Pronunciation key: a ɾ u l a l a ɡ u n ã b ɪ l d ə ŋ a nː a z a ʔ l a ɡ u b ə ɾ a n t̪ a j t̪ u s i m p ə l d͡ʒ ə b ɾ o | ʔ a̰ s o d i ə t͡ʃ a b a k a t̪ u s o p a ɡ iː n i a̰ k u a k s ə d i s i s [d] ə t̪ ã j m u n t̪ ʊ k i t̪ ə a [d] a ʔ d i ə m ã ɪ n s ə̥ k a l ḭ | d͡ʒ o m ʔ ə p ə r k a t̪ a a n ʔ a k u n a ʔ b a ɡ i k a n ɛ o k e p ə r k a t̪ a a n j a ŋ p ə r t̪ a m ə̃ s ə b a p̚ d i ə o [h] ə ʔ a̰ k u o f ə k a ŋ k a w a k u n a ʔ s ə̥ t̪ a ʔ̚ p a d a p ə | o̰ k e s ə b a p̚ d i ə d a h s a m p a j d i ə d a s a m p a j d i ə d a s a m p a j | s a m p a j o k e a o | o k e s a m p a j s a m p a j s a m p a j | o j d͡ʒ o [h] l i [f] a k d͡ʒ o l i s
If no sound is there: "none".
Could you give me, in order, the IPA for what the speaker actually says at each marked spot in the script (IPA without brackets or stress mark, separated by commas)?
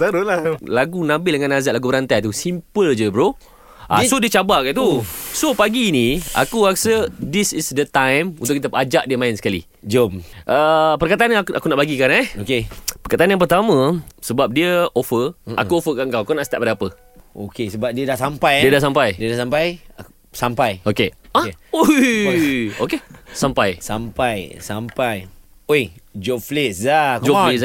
d, d͡ʒ, f, f, s